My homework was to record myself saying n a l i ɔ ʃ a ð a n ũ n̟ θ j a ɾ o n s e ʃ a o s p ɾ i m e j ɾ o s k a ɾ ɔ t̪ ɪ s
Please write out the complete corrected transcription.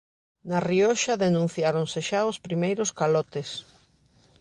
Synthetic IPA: n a r i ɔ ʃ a ð e n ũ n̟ θ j a ɾ o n s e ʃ a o s p ɾ i m e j ɾ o s k a l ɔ t̪ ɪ s